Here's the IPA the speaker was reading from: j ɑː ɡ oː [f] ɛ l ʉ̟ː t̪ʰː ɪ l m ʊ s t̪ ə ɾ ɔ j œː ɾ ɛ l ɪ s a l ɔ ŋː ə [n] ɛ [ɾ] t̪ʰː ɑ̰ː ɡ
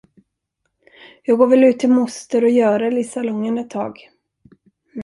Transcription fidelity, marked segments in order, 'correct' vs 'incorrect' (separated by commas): incorrect, correct, incorrect